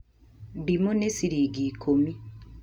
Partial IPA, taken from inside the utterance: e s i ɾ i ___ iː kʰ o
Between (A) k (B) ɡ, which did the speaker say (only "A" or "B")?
B